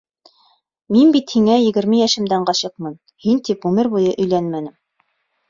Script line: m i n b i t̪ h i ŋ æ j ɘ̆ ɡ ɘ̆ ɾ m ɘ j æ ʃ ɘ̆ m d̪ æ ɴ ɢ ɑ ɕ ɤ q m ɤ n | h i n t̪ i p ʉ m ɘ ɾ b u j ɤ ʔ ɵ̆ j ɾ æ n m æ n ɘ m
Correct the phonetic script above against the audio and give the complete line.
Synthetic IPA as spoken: m i n b i t̪ h i ŋ æ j ɘ̆ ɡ ɘ̆ ɾ m ɘ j æ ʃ ɘ̆ m d̪ æ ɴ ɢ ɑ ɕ ɤ q m ɤ n | h i n t̪ i p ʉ m ɘ ɾ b u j ɤ ʔ ɵ̆ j l æ n m æ n ɘ m